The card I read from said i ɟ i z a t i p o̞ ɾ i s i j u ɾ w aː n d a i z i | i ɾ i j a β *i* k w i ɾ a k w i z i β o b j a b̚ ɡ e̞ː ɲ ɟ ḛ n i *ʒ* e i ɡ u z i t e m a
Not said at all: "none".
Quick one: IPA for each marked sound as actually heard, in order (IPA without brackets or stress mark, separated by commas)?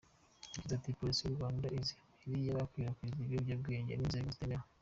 a, z